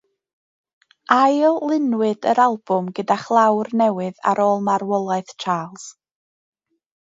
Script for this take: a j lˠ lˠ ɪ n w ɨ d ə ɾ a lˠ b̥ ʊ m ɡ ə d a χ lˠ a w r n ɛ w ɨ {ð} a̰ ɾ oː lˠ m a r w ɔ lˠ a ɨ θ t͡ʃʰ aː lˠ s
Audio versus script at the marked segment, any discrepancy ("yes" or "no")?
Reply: no